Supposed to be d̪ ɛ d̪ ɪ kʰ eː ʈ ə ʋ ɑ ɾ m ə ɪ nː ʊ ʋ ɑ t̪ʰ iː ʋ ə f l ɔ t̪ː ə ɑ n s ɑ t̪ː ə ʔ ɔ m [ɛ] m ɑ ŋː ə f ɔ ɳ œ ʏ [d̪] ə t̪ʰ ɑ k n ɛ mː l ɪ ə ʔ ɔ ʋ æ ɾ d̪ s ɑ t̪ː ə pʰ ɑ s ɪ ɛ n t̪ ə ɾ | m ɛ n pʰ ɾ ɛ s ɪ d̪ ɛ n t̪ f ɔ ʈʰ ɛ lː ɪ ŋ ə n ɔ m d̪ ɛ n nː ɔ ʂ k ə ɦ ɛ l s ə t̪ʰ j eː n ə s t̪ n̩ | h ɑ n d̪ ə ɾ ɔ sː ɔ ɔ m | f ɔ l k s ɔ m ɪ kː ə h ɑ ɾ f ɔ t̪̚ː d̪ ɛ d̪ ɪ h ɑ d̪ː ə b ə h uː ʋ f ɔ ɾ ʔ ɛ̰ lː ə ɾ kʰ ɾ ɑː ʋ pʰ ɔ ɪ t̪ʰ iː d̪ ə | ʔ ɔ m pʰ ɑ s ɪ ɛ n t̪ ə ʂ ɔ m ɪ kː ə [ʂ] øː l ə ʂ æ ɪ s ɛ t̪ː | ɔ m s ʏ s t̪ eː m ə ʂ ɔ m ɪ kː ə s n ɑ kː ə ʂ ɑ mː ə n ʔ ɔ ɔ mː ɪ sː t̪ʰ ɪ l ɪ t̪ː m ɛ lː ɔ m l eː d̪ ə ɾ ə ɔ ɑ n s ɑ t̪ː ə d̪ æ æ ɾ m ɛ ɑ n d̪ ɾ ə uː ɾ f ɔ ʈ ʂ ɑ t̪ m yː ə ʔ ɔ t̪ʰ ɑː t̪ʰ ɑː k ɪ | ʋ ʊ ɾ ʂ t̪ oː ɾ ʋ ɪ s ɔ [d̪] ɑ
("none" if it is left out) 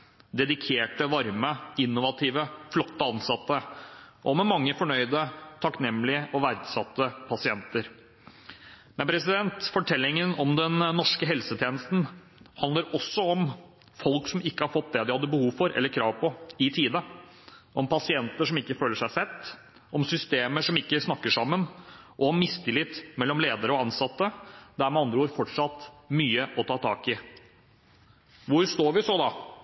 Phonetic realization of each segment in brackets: ɛ, d̪, f, d̪

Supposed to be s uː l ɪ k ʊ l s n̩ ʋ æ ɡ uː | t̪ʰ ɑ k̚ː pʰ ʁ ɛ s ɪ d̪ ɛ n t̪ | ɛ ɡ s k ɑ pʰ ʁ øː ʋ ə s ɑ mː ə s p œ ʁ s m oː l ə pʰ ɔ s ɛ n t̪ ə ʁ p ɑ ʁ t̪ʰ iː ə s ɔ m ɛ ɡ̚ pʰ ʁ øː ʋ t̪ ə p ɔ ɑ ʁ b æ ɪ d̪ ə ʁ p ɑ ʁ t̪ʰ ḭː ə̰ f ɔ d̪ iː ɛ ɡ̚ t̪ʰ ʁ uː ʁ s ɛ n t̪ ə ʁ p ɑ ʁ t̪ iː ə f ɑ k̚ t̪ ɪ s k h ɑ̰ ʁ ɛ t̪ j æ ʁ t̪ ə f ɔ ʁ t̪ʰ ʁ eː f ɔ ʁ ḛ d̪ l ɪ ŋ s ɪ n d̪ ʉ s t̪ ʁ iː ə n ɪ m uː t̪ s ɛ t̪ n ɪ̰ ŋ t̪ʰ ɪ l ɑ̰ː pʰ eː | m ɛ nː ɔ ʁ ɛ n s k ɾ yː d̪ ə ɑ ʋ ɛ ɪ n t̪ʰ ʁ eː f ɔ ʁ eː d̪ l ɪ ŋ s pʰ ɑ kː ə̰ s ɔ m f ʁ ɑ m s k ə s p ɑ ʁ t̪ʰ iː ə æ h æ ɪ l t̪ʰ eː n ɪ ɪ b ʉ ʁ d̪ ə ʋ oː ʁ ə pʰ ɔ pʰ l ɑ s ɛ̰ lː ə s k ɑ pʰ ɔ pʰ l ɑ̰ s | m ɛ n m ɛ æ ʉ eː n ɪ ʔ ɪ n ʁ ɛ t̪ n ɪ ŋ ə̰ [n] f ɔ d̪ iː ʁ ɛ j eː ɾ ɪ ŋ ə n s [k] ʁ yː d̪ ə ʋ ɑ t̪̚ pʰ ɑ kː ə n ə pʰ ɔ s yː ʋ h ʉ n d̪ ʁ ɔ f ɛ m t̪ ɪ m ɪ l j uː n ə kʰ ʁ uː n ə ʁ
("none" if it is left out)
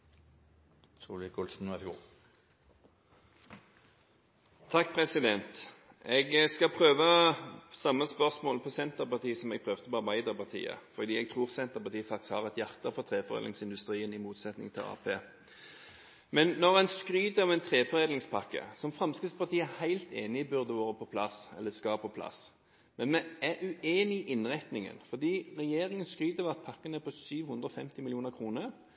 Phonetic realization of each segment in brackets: n, k

